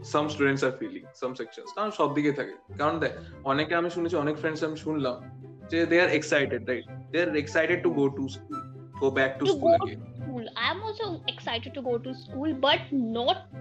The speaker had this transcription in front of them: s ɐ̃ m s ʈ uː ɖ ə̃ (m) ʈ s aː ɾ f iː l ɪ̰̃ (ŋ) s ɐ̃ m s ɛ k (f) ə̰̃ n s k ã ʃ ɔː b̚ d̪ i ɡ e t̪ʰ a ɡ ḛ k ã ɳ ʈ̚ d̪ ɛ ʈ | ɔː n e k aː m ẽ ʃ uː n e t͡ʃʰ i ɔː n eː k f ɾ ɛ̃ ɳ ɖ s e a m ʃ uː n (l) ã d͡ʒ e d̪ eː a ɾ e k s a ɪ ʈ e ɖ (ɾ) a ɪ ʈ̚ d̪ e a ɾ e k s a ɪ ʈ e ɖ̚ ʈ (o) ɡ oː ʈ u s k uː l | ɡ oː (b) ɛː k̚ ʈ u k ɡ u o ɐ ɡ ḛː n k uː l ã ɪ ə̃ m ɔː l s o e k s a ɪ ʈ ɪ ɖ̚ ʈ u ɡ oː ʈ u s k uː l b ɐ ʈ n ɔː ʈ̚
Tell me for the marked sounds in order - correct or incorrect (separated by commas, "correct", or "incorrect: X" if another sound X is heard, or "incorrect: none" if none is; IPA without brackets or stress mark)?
incorrect: ɳ, correct, incorrect: ʃ, correct, correct, incorrect: u, correct